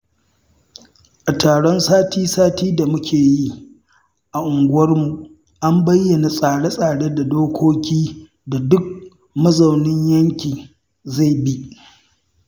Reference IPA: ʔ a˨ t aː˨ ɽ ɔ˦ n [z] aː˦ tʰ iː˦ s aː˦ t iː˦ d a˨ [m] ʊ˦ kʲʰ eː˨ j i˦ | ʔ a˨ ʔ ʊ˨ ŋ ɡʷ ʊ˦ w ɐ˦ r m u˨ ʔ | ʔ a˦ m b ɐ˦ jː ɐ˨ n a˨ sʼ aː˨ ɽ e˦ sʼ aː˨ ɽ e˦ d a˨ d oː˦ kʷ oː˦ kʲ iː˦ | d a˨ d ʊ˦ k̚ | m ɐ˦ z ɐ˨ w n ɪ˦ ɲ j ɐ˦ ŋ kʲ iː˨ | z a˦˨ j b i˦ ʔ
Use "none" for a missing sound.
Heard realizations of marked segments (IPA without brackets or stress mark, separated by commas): s, m